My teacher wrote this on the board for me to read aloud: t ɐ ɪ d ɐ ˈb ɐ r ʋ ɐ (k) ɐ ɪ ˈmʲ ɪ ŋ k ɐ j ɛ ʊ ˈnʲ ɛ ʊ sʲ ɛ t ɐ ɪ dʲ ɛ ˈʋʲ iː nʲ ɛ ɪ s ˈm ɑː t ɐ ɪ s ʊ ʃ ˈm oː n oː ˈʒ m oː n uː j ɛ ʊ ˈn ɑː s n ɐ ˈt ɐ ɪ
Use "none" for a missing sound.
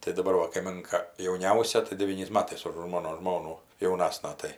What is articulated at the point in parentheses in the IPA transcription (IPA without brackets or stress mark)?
k